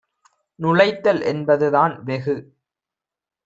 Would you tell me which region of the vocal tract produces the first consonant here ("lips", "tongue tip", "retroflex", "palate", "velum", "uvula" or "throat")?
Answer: tongue tip